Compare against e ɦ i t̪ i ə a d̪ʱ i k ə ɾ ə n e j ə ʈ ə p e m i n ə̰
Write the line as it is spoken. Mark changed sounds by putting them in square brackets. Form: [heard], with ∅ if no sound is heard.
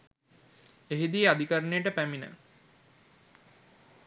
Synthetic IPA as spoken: e ɦ i [d̪] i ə a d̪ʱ i k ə ɾ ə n e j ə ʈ ə p [æ] m i n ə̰